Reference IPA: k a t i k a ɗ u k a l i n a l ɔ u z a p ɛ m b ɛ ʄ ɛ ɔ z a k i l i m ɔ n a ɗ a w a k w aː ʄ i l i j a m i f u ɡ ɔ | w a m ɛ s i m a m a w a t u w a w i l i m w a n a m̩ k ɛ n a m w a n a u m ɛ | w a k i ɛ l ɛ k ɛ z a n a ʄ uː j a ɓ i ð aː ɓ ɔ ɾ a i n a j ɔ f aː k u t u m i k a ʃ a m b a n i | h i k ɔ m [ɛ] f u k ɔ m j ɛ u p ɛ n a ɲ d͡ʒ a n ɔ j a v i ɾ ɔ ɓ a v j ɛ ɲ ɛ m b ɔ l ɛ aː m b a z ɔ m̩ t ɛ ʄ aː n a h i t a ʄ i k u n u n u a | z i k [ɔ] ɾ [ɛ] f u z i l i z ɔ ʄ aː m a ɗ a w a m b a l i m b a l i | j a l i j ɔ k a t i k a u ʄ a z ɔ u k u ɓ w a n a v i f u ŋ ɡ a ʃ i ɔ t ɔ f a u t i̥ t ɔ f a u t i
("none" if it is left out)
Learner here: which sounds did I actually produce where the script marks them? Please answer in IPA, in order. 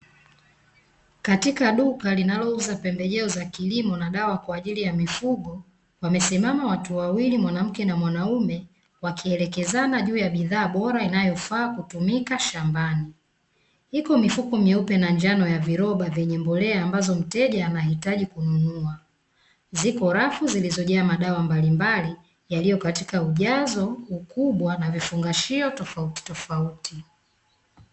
i, ɔ, a

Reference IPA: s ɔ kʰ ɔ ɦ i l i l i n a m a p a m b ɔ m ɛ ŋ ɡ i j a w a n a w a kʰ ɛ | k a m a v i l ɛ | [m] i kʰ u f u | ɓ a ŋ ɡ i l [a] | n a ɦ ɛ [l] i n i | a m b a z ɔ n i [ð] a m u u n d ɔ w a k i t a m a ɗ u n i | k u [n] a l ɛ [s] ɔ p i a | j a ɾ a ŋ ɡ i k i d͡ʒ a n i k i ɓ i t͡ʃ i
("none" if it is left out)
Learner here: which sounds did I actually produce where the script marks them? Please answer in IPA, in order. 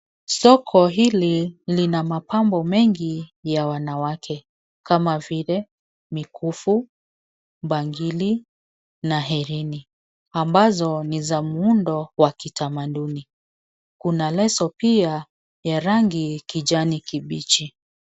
m, i, ɾ, z, n, s

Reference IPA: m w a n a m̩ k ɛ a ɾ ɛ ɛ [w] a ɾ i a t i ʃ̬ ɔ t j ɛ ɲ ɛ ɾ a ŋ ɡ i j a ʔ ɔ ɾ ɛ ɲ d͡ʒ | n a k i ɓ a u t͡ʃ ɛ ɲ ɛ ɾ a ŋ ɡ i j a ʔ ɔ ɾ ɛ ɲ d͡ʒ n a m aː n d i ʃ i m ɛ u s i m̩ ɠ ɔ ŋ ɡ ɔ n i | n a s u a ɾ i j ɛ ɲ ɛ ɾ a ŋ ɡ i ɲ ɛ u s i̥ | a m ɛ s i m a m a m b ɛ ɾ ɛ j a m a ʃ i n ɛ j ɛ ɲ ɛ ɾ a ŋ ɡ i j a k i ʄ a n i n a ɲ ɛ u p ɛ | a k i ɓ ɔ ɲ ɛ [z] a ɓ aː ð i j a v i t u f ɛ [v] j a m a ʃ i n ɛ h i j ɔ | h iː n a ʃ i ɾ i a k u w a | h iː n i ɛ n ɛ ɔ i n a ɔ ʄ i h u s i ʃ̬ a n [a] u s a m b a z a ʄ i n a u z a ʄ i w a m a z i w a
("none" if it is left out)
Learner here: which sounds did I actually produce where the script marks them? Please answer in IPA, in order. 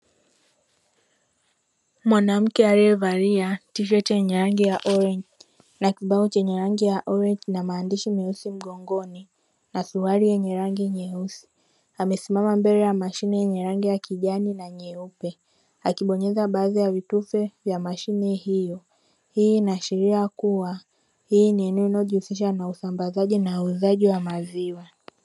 v, z, v, a

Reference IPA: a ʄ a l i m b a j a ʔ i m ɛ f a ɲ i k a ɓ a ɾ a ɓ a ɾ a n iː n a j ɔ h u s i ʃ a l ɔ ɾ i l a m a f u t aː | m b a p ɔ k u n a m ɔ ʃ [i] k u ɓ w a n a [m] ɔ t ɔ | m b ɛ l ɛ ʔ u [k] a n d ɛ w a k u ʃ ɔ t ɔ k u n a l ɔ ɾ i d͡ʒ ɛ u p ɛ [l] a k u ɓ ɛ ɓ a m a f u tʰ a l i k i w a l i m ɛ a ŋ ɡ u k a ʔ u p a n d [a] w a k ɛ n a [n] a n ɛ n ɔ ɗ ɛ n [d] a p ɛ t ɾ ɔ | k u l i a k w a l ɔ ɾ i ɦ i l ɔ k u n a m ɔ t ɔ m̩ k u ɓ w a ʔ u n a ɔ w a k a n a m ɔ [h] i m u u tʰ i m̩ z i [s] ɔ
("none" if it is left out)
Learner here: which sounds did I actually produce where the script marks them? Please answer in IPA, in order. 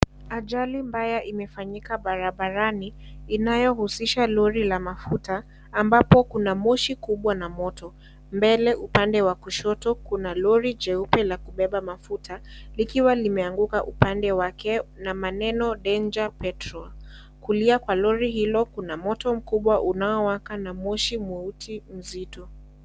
i, m, p, l, ɛ, m, d͡ʒ, ʃ, t

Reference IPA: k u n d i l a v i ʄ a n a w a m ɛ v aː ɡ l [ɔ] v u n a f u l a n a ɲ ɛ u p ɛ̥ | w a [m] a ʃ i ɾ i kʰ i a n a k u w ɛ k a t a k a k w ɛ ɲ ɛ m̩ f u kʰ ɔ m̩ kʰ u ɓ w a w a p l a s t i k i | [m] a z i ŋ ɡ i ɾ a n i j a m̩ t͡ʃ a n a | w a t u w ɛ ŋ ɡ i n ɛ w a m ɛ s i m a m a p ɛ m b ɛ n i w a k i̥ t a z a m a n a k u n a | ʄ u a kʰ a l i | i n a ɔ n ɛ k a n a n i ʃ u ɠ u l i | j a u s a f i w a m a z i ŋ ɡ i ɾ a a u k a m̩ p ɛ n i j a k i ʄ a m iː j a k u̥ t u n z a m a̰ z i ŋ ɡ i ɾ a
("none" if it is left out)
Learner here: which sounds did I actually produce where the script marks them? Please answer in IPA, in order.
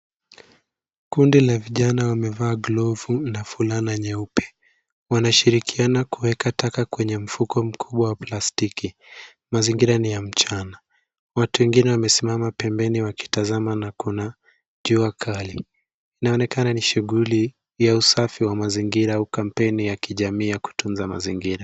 ɔ, n, m

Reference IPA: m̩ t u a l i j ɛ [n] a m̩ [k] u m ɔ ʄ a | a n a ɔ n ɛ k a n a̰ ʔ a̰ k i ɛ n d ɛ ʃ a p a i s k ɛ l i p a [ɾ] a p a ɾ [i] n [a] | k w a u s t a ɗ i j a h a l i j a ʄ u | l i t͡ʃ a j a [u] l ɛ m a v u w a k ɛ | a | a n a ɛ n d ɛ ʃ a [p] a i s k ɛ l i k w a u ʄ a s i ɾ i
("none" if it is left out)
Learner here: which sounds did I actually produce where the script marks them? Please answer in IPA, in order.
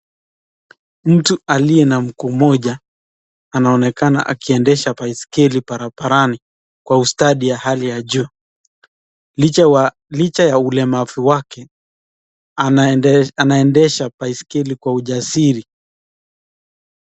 n, k, ɾ, a, i, u, p

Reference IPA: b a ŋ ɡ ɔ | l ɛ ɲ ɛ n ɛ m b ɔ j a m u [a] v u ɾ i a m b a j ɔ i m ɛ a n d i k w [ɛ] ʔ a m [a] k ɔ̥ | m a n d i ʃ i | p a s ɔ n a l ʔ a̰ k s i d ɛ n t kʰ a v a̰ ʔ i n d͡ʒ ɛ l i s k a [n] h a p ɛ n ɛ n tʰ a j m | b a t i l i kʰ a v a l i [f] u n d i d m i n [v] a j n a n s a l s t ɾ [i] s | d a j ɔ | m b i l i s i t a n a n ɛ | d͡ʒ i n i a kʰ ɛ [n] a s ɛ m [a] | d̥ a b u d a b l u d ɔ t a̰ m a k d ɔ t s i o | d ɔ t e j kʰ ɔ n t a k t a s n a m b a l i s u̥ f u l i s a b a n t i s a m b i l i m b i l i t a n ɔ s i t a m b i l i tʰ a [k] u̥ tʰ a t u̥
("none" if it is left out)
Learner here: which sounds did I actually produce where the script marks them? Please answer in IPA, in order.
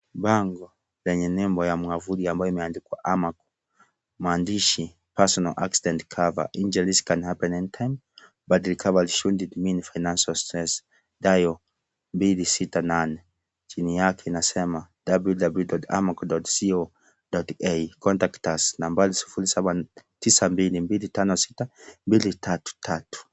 a, a, a, n, ʃ, f, ɛ, n, a, t

